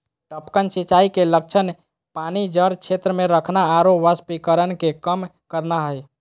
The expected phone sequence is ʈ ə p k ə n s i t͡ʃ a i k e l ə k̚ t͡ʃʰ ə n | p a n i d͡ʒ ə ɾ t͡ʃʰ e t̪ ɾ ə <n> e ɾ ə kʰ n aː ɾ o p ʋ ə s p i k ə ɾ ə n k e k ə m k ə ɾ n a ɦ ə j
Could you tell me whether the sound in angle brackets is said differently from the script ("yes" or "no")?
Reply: yes